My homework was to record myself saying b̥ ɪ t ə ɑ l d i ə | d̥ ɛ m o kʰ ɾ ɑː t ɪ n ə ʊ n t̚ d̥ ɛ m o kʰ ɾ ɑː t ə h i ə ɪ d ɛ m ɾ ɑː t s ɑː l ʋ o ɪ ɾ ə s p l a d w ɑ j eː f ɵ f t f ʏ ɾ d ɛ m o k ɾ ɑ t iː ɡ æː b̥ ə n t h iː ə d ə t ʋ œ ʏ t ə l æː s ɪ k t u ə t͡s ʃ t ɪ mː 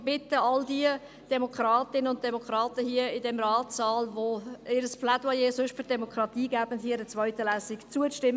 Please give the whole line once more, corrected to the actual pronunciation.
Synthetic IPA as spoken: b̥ ɪ t ə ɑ l d i ə | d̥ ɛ m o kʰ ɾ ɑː t ɪ n ə ʊ n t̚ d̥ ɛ m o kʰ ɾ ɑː t ə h i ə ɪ d ɛ m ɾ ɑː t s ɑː l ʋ o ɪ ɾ ə s p l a d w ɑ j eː s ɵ ʃ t f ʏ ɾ d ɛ m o k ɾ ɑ t iː ɡ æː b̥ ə n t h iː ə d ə t͡s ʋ œ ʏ t ə l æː s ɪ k t͡s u ə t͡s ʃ t ɪ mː